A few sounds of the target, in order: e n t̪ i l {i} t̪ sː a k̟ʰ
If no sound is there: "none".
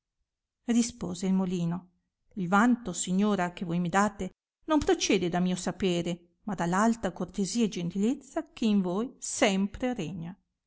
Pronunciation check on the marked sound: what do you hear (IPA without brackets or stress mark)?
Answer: e